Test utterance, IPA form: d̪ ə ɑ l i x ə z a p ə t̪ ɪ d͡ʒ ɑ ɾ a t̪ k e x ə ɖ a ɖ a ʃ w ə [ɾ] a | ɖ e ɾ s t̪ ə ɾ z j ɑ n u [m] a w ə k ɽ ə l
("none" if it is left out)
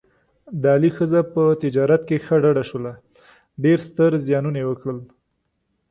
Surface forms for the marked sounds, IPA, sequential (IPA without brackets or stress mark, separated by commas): l, n